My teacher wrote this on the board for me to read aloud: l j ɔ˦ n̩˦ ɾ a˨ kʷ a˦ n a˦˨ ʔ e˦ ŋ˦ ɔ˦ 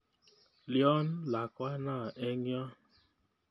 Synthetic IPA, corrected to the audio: l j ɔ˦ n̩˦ l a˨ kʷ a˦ n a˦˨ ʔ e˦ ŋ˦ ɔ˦